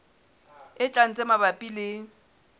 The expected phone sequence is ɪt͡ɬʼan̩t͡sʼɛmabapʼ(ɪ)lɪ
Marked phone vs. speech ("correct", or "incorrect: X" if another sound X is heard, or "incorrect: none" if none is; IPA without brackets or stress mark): incorrect: i